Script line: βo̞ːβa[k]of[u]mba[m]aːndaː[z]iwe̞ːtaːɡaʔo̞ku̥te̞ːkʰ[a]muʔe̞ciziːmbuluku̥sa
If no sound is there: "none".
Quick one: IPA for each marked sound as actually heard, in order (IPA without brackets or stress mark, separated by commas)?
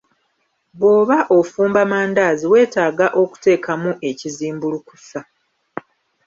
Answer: ʔ, uː, m, z, a